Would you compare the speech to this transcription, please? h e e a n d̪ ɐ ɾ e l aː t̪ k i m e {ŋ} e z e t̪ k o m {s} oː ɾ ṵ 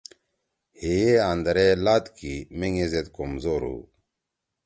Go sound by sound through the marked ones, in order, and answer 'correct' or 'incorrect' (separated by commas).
correct, incorrect